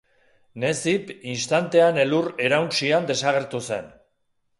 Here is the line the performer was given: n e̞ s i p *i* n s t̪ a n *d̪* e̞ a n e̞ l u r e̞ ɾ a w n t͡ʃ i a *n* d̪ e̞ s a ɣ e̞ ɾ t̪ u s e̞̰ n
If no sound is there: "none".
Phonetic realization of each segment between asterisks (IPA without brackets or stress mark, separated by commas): i, t̪, n